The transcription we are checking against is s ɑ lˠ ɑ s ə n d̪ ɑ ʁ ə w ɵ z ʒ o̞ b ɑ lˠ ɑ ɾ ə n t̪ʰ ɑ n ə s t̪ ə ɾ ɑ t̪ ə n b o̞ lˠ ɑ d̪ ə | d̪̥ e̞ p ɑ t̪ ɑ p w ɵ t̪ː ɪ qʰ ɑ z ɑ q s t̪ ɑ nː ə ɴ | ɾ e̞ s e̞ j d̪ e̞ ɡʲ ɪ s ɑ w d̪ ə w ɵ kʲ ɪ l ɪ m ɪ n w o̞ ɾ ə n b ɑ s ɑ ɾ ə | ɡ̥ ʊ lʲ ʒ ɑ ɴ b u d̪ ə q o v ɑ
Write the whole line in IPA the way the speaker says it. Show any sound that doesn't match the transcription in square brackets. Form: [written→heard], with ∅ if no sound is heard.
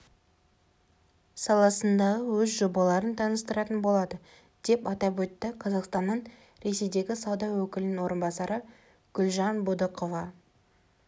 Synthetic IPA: s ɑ lˠ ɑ s ə n d̪ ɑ ʁ ə w ɵ z ʒ o̞ b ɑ lˠ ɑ ɾ ə n t̪ʰ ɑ n ə s t̪ ə ɾ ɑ t̪ ə n b o̞ lˠ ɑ d̪ ə | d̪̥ e̞ p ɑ t̪ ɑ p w ɵ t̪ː ɪ qʰ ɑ z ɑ q s t̪ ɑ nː ə ɴ | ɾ e̞ s e̞ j d̪ e̞ ɡʲ ɪ s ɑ w d̪ [ə→ɑ] w ɵ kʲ ɪ l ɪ [m→n] ɪ n w o̞ ɾ ə n b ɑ s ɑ ɾ ə | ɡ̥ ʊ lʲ ʒ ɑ [ɴ→n] b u d̪ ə q o v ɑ